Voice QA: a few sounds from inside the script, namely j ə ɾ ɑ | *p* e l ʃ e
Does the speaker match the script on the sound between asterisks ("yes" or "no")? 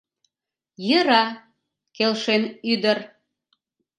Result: no